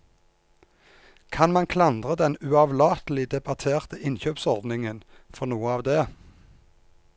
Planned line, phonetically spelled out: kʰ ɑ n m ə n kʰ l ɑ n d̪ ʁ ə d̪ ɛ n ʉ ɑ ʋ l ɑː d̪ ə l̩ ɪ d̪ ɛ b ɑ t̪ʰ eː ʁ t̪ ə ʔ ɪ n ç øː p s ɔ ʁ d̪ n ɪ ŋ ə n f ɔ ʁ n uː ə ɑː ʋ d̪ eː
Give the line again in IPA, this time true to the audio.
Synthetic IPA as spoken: kʰ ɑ n m ɑ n kʰ l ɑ n d̪ ʁ ə d̪ ɛ n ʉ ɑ ʋ l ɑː t̪ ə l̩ ɪ d̪ ɛ b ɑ t̪ʰ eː ʁ t̪ ə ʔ ɪ n ç øː p s ɔ ʁ d̪ n ɪ ŋ ə n f ɔ ʁ n uː ə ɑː ʋ d̪ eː